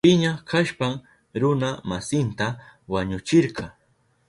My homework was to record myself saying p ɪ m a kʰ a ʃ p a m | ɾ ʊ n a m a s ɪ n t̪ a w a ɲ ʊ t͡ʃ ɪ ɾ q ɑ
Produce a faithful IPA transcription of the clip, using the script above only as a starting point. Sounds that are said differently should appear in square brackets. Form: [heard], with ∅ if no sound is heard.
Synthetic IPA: p ɪ [ɲ] a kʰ a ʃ p a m | ɾ ʊ n a m a s ɪ n t̪ a w a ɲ ʊ t͡ʃ ɪ ɾ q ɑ

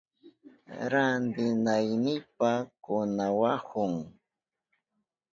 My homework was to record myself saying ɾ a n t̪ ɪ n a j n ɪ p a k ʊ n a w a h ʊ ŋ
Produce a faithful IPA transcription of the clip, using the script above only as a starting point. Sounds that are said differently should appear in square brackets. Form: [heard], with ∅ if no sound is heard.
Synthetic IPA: ɾ a n [d̪] ɪ n a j n ɪ p a k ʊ n a w a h ʊ ŋ

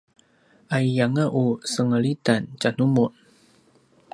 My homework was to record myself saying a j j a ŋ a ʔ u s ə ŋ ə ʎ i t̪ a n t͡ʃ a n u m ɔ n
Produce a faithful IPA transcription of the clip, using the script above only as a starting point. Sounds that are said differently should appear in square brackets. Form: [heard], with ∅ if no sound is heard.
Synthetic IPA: a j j a ŋ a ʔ u s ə ŋ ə [l] i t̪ a n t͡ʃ a n u m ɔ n

